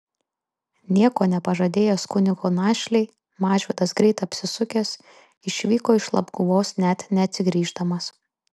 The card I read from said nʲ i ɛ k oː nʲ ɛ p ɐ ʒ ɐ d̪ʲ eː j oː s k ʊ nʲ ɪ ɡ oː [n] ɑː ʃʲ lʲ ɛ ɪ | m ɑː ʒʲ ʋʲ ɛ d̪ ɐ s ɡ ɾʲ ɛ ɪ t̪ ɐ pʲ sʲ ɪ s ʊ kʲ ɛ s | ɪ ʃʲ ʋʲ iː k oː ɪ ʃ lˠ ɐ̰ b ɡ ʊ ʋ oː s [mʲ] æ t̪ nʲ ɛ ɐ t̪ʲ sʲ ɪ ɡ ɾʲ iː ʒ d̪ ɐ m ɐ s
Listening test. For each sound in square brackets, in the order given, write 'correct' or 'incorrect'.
correct, incorrect: nʲ

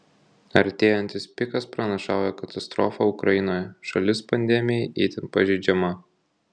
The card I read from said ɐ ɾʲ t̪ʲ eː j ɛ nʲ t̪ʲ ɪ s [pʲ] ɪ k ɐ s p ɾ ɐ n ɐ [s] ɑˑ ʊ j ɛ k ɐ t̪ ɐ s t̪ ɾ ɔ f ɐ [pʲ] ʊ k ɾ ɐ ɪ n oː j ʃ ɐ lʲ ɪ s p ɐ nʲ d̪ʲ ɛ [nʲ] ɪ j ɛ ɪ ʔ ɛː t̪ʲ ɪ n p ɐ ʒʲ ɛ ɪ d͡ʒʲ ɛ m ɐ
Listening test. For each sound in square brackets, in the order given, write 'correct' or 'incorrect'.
correct, incorrect: ʃ, incorrect: none, incorrect: mʲ

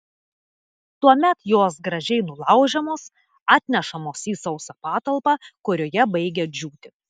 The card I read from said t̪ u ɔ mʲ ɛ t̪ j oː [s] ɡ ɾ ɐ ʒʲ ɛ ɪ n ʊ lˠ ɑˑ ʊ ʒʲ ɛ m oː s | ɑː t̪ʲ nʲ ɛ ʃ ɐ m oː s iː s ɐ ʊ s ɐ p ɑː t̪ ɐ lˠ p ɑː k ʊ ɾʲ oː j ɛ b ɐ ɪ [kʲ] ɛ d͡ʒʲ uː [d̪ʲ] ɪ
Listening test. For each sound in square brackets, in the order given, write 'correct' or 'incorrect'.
correct, incorrect: ɡʲ, incorrect: t̪ʲ

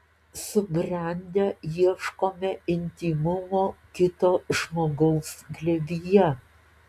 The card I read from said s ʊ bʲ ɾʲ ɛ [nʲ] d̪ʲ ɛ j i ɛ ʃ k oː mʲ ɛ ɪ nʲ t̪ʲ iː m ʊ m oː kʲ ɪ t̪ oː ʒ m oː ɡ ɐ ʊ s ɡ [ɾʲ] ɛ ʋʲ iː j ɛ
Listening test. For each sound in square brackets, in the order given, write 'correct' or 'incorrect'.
correct, incorrect: lʲ

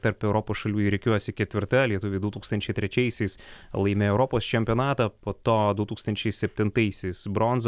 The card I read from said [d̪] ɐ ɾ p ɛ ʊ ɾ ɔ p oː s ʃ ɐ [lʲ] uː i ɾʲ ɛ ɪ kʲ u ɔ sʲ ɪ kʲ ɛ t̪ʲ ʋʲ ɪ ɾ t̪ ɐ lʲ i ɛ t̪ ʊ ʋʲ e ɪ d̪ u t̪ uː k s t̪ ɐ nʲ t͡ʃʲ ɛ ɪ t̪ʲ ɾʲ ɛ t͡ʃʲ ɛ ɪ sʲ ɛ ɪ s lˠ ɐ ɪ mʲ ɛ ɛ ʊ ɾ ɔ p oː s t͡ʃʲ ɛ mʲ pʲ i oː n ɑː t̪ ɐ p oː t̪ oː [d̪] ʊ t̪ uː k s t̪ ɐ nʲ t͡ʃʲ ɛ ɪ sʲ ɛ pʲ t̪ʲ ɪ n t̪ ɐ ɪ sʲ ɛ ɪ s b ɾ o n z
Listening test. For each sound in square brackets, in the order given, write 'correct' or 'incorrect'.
incorrect: t̪, correct, correct

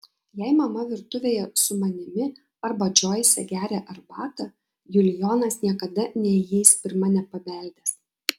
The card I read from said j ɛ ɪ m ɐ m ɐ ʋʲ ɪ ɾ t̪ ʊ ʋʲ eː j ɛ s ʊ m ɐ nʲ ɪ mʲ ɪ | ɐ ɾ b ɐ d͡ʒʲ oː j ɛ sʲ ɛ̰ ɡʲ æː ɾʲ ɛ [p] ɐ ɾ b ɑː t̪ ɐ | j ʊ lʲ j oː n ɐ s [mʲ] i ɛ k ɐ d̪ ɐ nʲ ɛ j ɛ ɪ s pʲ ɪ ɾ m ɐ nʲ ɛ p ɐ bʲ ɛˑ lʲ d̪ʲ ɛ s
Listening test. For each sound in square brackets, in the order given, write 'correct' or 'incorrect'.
incorrect: ʔ, incorrect: nʲ

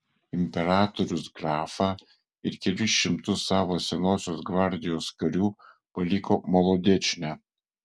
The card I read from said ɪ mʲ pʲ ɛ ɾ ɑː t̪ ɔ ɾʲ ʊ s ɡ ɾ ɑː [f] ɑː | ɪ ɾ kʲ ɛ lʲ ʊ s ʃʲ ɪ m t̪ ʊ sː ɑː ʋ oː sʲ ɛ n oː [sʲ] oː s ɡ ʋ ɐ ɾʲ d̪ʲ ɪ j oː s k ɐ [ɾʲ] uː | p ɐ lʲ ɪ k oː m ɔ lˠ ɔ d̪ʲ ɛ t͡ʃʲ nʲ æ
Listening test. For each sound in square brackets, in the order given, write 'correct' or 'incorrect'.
correct, correct, correct

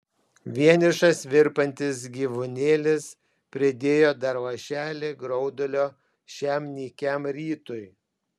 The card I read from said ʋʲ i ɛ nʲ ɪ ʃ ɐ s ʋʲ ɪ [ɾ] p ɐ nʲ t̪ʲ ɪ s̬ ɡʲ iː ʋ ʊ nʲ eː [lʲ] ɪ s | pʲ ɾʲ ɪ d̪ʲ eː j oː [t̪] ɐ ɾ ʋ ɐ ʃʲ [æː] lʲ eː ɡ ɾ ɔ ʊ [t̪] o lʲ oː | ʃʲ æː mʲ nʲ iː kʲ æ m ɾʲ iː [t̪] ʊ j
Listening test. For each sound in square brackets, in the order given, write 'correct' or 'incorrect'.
correct, correct, incorrect: d̪, correct, incorrect: d̪, correct

